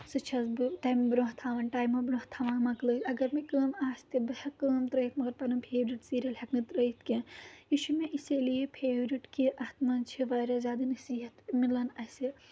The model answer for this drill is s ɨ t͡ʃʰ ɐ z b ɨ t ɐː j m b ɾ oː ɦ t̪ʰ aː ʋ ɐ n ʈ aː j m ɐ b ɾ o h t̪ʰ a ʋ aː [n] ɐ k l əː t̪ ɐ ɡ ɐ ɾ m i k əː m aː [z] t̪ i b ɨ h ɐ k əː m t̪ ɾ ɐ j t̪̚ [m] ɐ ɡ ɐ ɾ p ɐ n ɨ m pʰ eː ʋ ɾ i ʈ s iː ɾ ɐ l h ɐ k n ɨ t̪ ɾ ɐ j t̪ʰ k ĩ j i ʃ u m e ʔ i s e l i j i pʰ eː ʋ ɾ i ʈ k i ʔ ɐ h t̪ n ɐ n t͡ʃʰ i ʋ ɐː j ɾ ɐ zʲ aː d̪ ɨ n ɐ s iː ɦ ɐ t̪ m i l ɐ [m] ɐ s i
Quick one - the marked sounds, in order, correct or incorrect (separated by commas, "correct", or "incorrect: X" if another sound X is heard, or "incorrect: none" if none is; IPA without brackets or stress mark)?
incorrect: m, incorrect: s, correct, incorrect: n